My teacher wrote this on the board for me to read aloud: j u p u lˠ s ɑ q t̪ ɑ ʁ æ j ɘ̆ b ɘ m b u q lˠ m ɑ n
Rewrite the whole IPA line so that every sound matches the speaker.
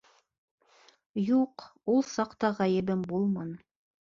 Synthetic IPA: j u q u lˠ s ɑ q t̪ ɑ ʁ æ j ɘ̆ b ɘ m b u lˠ m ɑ n